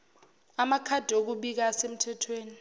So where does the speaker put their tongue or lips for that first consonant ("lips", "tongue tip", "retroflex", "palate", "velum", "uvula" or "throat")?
lips